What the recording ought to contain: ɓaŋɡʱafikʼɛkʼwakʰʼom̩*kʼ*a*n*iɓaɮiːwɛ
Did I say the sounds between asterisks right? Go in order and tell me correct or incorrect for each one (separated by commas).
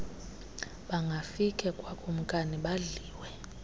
correct, correct